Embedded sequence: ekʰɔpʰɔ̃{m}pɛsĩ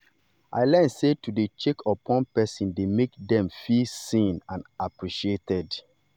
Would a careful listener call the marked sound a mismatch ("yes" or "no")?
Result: yes